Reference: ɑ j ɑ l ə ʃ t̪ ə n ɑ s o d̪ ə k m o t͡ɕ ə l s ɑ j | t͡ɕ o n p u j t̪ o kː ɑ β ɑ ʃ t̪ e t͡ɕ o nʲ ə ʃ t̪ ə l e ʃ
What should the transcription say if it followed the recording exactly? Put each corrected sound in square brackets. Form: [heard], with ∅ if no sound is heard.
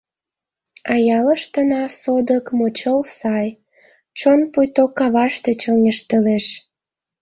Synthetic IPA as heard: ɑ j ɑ l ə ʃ t̪ ə n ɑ s o d̪ ə k m o t͡ɕ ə l s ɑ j | t͡ɕ o n p u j t̪ o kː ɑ β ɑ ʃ t̪ e t͡ɕ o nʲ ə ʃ t̪ ə l e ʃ

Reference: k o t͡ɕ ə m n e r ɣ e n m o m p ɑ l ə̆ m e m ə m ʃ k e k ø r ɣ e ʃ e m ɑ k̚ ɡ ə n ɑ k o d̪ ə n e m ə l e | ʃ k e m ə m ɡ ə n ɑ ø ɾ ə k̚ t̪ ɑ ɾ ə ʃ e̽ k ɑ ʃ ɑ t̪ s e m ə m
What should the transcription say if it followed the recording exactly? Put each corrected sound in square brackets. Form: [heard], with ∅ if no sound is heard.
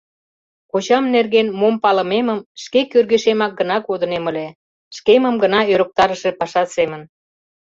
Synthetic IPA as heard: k o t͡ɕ [ɑ] m n e r ɣ e n m o m p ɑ l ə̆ m e m ə m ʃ k e k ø r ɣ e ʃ e m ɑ k̚ ɡ ə n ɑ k o d̪ ə n e m ə l e | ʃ k e m ə m ɡ ə n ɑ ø ɾ ə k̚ t̪ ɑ ɾ ə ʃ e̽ [p] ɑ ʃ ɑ t̪ s e m ə [n]

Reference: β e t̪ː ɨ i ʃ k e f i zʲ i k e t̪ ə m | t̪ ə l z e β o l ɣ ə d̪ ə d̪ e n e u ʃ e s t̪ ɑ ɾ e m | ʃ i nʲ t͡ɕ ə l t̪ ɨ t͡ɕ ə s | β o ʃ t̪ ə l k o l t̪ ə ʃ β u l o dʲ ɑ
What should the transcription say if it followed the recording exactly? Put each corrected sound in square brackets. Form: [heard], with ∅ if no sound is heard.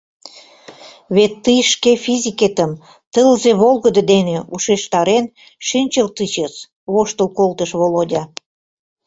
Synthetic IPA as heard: β e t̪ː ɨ [j] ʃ k e f i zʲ i k e t̪ ə m | t̪ ə l z e β o l ɣ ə d̪ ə d̪ e n e u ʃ e [ʃ] t̪ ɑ ɾ e [n] | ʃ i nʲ t͡ɕ ə l t̪ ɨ t͡ɕ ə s | β o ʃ t̪ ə l k o l t̪ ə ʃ β [o] l o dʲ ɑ

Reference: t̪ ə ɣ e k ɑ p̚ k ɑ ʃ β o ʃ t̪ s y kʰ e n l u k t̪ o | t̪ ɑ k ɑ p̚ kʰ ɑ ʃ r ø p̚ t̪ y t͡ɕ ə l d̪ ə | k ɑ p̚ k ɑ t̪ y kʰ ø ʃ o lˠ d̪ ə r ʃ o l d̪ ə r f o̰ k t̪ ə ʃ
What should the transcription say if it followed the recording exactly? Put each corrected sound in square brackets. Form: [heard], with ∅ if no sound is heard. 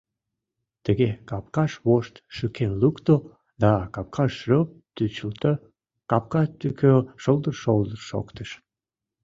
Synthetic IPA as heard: t̪ ə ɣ e k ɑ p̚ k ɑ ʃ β o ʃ t̪ [ʃ] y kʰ e n l u k t̪ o | [d̪] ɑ k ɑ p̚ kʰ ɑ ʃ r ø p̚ t̪ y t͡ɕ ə l [t̪] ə | k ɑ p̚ k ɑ t̪ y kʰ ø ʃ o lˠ d̪ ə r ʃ o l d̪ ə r [ʃ] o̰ k t̪ ə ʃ

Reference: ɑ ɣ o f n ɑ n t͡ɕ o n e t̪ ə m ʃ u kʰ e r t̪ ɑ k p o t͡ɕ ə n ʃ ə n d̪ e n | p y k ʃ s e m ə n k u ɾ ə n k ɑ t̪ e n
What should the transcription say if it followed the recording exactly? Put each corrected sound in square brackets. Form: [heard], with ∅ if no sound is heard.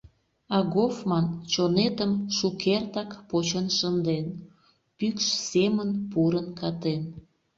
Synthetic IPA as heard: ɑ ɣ o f [m] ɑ n t͡ɕ o n e t̪ ə m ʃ u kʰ e r t̪ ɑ k p o t͡ɕ ə n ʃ ə n d̪ e n | p y k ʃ s e m ə n [p] u ɾ ə n k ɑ t̪ e n

